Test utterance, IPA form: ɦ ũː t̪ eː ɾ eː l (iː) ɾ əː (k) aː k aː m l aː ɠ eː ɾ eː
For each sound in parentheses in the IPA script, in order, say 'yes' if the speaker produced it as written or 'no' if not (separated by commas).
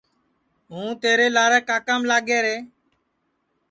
no, yes